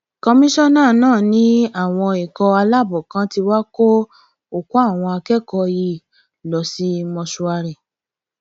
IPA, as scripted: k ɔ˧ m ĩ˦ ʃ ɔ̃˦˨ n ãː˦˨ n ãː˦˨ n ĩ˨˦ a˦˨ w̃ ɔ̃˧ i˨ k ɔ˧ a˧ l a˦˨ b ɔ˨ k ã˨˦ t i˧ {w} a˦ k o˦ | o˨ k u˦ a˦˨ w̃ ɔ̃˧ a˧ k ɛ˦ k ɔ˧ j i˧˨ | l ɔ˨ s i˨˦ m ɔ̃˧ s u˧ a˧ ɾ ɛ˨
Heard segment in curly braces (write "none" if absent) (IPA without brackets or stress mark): w